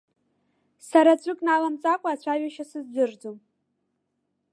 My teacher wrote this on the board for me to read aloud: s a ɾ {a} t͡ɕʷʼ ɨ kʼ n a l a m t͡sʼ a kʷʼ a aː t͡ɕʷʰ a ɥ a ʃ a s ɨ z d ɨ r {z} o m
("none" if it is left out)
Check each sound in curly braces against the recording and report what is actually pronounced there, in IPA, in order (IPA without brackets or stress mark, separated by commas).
a, d͡z